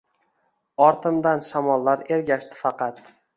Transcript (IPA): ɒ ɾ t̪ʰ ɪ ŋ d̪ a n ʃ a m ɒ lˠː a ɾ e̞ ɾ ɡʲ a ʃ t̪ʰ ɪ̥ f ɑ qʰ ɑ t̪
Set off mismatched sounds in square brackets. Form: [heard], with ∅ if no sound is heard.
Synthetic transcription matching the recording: ɒ ɾ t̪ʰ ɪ [m] d̪ a n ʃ a m ɒ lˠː a ɾ e̞ ɾ ɡʲ a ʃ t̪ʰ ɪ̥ f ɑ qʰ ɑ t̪